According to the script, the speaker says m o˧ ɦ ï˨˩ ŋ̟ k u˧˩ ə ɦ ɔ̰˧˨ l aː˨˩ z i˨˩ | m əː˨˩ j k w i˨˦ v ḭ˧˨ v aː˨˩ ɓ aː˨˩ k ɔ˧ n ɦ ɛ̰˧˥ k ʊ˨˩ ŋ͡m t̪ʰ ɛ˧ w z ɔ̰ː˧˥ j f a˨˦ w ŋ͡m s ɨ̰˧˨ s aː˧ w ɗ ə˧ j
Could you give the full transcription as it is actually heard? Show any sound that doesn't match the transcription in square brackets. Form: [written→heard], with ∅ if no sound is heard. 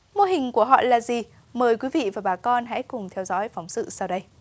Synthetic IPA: m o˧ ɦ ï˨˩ ŋ̟ k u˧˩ ə ɦ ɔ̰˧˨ l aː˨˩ z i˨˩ | m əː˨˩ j k w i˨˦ v ḭ˧˨ v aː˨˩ ɓ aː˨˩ k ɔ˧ n ɦ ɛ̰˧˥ k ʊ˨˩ ŋ͡m t̪ʰ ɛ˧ w z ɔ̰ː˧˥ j f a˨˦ w ŋ͡m s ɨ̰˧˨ s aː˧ w ɗ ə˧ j